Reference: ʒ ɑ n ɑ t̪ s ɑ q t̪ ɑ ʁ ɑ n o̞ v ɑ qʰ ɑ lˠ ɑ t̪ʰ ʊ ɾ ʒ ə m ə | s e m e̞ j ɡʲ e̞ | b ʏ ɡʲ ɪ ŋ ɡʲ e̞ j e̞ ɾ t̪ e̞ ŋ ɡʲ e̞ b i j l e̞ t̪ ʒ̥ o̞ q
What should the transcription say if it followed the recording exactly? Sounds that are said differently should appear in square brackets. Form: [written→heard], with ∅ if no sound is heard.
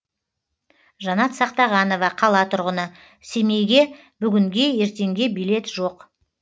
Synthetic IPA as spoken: ʒ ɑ n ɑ t̪ s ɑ q t̪ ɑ ʁ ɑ n o̞ v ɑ qʰ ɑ lˠ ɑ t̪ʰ ʊ ɾ [ʒ→ʁ] ə [m→n] ə | s e m e̞ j ɡʲ e̞ | b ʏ ɡʲ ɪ ŋ ɡʲ e̞ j e̞ ɾ t̪ e̞ ŋ ɡʲ e̞ b i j l e̞ t̪ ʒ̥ o̞ q